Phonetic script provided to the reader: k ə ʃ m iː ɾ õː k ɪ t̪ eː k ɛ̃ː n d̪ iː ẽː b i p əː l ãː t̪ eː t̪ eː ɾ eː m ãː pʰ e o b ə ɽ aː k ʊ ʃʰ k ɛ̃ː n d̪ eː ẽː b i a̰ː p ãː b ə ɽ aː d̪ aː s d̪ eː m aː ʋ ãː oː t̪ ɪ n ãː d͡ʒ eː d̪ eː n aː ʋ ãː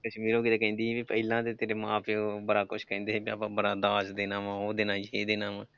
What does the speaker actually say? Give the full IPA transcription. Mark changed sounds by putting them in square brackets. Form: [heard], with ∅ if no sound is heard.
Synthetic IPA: k ə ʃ m iː ɾ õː k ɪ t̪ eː k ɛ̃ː n d̪ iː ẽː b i p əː l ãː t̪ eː t̪ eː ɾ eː m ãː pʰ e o b ə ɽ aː k ʊ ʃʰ k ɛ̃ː n d̪ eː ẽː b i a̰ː p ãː b ə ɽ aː d̪ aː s d̪ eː [n] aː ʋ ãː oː [d̪] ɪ n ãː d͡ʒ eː d̪ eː n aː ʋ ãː